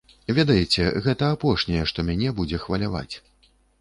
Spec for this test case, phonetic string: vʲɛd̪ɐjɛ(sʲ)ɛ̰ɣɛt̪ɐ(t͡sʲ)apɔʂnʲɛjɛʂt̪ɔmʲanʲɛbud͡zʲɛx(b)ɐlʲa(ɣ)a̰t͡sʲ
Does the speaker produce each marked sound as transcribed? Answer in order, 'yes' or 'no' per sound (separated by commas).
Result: no, no, no, no